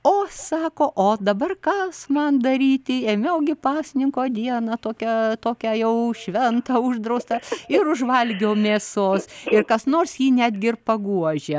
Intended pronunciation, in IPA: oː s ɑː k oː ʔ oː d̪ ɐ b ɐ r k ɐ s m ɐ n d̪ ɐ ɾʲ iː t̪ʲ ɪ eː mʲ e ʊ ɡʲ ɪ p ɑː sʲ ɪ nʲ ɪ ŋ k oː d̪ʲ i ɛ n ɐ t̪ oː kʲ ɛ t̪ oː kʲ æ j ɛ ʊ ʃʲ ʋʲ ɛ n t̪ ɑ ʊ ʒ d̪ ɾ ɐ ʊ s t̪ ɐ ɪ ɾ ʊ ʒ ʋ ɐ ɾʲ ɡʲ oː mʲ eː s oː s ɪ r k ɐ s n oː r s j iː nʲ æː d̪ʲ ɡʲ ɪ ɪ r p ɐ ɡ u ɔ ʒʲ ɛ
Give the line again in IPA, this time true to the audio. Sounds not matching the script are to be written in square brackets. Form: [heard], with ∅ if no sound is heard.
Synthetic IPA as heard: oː s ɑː k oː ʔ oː d̪ ɐ b ɐ r k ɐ s m ɐ n d̪ ɐ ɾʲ iː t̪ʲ ɪ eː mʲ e ʊ ɡʲ ɪ p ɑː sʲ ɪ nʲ ɪ ŋ k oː d̪ʲ i ɛ n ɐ t̪ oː kʲ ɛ t̪ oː kʲ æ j ɛ ʊ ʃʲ ʋʲ ɛ n t̪ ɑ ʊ ʒ d̪ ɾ ɐ ʊ s t̪ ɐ ɪ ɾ ʊ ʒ ʋ ɐ [lʲ] ɡʲ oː mʲ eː s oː s ɪ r k ɐ s n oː r s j iː nʲ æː d̪ʲ ɡʲ ɪ ɪ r p ɐ ɡ u ɔ ʒʲ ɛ